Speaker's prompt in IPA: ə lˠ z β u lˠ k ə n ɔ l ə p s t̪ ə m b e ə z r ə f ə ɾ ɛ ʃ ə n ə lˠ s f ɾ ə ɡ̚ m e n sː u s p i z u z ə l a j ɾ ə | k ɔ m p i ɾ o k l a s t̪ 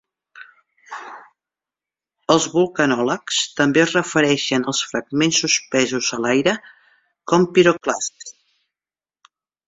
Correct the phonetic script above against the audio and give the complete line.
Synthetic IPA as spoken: ə lˠ z β u lˠ k ə n ɔ l ə k s t̪ ə m b e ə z r ə f ə ɾ ɛ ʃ ə n ə lˠ s f ɾ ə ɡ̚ m e n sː u s p ɛ z u z ə l a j ɾ ə | k ɔ m p i ɾ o k l a s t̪

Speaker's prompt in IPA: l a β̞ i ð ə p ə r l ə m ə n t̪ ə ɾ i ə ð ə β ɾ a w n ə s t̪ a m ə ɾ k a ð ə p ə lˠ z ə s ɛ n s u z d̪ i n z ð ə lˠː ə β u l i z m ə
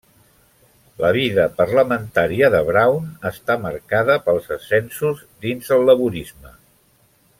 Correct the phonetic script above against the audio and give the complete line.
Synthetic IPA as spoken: l ə β̞ i ð ə p ə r l ə m ə n t̪ a ɾ i ə ð ə β ɾ a w n ə s t̪ a m ə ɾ k a ð ə p ə lˠ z ə s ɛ n s u z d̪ i n z ð ə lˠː ə β u ɾ i z m ə

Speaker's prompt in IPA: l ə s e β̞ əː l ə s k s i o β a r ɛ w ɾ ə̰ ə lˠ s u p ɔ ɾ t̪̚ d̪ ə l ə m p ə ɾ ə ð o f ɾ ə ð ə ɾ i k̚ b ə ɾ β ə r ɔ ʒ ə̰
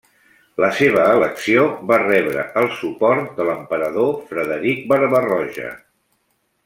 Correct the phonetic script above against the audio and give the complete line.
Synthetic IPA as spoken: l ə s e β̞ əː l ə k s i o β a r ɛ β ɾ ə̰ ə lˠ s u p ɔ ɾ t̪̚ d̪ ə l ə m p ə ɾ ə ð o f ɾ ə ð ə ɾ i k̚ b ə ɾ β ə r ɔ ʒ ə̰

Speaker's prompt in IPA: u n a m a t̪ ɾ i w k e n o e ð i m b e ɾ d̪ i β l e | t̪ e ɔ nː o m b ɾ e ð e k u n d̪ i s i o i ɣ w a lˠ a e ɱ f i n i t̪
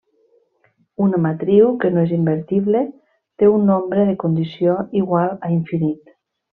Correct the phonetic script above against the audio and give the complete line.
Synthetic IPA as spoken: u n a m a t̪ ɾ i w k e n o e z i m b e ɾ t̪ i β l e | t̪ e u nː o m b ɾ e ð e k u n d̪ i s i o i ɣ w a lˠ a i ɱ f i n i t̪

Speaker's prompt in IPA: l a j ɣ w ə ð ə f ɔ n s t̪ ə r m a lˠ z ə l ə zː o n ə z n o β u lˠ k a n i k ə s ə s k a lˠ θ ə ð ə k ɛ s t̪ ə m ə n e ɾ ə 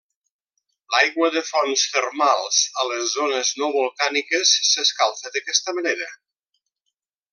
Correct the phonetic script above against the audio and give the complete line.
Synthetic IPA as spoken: l a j ɣ w ə ð ə f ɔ n s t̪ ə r m a lˠ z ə l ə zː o n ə z n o β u lˠ k a n i k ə sː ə s k a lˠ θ ə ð ə k ɛ s t̪ ə m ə n e ɾ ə

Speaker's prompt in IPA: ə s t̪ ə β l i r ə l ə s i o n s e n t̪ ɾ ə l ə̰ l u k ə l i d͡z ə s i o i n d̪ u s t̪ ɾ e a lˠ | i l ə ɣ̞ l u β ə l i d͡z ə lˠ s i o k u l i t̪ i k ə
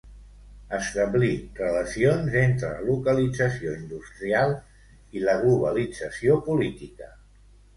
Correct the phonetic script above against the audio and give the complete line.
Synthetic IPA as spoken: ə s t̪ ə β l i r ə l ə s i o n z e n t̪ ɾ ə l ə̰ l u k ə l i d͡z ə s i o i n d̪ u s t̪ ɾ i a lˠ | i l ə ɣ̞ l u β ə l i d͡z ə s i o p u l i t̪ i k ə

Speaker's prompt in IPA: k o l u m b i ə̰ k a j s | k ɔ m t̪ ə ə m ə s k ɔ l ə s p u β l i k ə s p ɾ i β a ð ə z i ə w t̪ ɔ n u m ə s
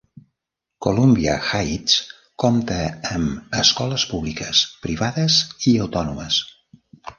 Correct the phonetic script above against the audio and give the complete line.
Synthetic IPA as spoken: k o l u m b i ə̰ x a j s | k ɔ m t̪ ə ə m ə s k ɔ l ə s p u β l i k ə s p ɾ i β a ð ə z i ə w t̪ ɔ n u m ə s

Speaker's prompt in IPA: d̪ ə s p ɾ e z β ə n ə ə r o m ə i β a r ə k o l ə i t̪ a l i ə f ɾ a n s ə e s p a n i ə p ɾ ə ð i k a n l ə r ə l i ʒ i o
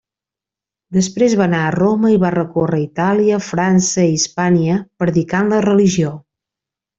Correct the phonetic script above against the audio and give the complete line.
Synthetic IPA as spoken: d̪ ə s p ɾ e z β a n a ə r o m ə i β a r ə k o r ə i t̪ a l i ə f ɾ a n s ə i s p a n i ə p ɾ ə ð i k a n l ə r ə l i ʒ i o

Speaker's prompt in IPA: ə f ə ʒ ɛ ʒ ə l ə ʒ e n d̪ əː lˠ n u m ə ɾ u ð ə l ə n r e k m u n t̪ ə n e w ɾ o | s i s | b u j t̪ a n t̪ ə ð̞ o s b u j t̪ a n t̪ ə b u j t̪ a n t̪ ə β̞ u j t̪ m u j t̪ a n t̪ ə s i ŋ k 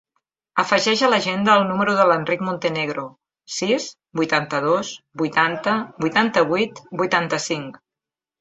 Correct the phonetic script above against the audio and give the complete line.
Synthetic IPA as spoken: ə f ə ʒ ɛ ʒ ə l ə ʒ e n d̪ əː lˠ n u m ə ɾ u ð ə l ə n r i k m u n t̪ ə n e ɣ ɾ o | s i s | b u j t̪ a n t̪ ə ð̞ o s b u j t̪ a n t̪ ə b u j t̪ a n t̪ ə β̞ u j t̪ b u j t̪ a n t̪ ə s i ŋ k

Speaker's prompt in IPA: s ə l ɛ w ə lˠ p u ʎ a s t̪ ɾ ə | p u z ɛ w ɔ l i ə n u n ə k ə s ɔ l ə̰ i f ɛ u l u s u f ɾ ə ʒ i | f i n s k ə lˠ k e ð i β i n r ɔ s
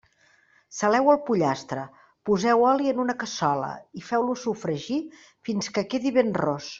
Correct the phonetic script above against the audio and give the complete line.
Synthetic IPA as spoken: s ə l ɛ w ə lˠ p u ʎ a s t̪ ɾ ə | p u z ɛ w ɔ l i ə n u n ə k ə s ɔ l ə̰ i f ɛ w l u s u f ɾ ə ʒ i | f i n s k ə k e ð i β e n r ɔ s

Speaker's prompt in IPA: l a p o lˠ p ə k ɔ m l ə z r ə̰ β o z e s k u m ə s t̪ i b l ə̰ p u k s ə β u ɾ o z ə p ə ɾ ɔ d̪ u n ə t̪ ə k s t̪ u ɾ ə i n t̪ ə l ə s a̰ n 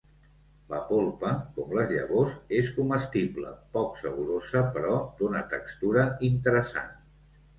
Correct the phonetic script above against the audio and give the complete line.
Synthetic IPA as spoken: l ə p o lˠ p ə k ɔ m l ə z ʎ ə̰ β o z e s k u m ə s t̪ i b l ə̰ p ɔ k s ə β u ɾ o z ə p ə ɾ ɔ d̪ u n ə t̪ ə k s t̪ u ɾ ə i n t̪ ə ɾ ə s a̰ n

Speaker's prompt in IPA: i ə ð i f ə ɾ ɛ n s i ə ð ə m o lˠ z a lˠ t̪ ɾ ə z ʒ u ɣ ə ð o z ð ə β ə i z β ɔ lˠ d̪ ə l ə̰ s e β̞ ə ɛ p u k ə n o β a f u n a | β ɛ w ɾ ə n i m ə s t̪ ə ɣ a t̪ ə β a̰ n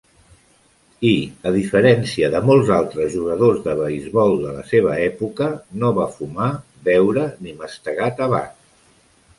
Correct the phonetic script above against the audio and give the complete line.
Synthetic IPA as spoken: i ə ð i f ə ɾ ɛ n s i ə ð ə m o lˠ z a lˠ t̪ ɾ ə z ʒ u ɣ ə ð o z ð ə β ə i z β ɔ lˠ d̪ ə l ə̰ s e β̞ ə ɛ p u k ə n o β a f u m a | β ɛ w ɾ ə n i m ə s t̪ ə ɣ a t̪ ə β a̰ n

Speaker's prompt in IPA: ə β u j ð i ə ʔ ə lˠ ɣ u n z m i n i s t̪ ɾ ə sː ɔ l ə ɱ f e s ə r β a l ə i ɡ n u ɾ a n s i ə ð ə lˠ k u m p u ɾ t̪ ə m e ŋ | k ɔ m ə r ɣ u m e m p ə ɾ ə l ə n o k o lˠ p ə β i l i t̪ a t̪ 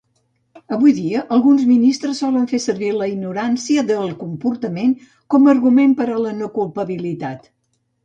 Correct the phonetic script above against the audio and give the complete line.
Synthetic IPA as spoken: ə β u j ð i ə ʔ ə lˠ ɣ u n z m i n i s t̪ ɾ ə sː ɔ l ə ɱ f e s ə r β i l ə i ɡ n u ɾ a n s i ə ð ə lˠ k u m p u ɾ t̪ ə m e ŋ | k ɔ m ə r ɣ u m e m p ə ɾ ə l ə n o k u lˠ p ə β i l i t̪ a t̪

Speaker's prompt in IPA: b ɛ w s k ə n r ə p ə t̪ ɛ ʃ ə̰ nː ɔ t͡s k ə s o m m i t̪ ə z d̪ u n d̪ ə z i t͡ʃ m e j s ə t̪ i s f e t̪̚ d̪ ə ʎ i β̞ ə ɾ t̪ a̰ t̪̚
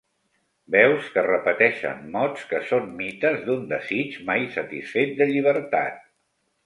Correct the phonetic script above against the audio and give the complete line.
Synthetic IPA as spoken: b ɛ w s k ə r ə p ə t̪ ɛ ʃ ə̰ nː ɔ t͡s k ə s o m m i t̪ ə z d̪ u n d̪ ə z i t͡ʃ m a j s ə t̪ i s f e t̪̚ d̪ ə ʎ i β̞ ə ɾ t̪ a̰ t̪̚

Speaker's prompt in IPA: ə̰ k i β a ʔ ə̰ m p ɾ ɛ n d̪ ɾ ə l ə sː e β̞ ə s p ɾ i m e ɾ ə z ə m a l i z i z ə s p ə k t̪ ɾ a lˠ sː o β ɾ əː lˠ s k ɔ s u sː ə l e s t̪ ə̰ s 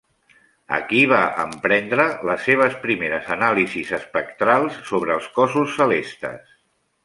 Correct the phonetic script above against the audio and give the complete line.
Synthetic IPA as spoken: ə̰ k i β a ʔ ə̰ m p ɾ ɛ n d̪ ɾ ə l ə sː e β̞ ə s p ɾ i m e ɾ ə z ə n a l i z i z ə s p ə k t̪ ɾ a lˠ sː o β ɾ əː lˠ s k ɔ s u sː ə l e s t̪ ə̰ s

